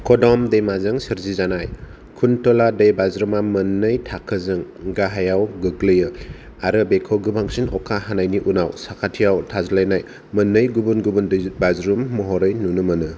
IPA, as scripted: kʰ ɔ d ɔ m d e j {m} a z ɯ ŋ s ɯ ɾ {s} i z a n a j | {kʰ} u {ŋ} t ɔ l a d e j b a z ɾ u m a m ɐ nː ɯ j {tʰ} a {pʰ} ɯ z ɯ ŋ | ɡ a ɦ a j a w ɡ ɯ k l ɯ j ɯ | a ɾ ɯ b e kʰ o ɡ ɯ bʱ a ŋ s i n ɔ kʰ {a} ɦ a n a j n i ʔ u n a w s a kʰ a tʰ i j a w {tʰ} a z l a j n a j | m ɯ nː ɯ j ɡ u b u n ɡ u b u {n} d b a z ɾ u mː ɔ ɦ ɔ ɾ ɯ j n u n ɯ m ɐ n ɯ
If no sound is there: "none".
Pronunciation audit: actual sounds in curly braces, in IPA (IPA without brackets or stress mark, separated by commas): m, z, kʰ, n, tʰ, kʰ, a, tʰ, n